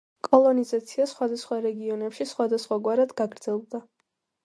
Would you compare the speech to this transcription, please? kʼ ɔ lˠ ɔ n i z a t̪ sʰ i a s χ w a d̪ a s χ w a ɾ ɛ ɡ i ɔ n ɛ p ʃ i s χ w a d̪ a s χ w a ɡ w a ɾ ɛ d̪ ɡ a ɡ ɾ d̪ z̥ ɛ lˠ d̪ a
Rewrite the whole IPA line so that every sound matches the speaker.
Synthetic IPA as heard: kʼ ɔ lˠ ɔ n i z a t̪ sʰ i a s χ w a d̪ a s χ w a ɾ ɛ ɡ i ɔ n ɛ p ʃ i s χ w a d̪ a s χ w a ɡ w a ɾ a d̪ ɡ a ɡ ɾ d̪ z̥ ɛ lˠ d̪ a